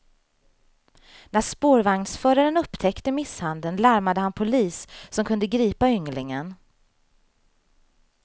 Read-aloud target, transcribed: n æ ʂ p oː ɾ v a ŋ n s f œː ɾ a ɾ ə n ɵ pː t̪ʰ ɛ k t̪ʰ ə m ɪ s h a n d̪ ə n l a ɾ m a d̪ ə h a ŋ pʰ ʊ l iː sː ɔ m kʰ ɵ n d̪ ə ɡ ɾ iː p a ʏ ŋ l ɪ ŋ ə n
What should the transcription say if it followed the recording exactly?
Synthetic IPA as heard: n æ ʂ p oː ɾ v a ŋ n s f œː ɾ a ɾ ə n ɵ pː t̪ʰ ɛ k t̪ ə m ɪ s h a n d̪ ə n l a ɾ m a d̪ ə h a n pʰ ʊ l iː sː ɔ m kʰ ɵ n d̪ ə ɡ ɾ iː p a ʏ ŋ l ɪ ŋ ə n

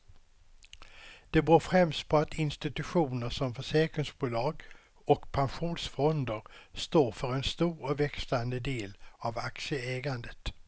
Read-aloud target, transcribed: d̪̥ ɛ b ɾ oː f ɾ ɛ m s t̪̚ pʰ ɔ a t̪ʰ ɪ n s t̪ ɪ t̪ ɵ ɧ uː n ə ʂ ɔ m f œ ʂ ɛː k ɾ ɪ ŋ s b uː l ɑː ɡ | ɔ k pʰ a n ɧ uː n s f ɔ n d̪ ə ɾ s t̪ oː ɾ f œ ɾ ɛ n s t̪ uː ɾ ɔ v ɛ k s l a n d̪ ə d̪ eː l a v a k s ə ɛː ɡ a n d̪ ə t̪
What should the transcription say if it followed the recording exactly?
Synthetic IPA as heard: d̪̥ ɛ b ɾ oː f ɾ ɛ m s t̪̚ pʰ ɔ a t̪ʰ ɪ n s t̪ ɪ t̪ ɵ ɧ uː n ə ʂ ɔ m f œ ʂ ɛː k ɾ ɪ ŋ s b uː l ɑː ɡ | ɔ k pʰ a n ɧ uː n s f ɔ n d̪ ə ɾ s t̪ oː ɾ f œ ɾ ɛ n s t̪ uː ɾ ɔ v ɛ k s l a n d̪ ə d̪ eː l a v a k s ə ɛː ɡ a n d̪ ə t̪

